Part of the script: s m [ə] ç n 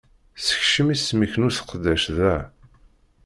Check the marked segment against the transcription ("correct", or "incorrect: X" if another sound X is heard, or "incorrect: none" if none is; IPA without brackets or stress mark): correct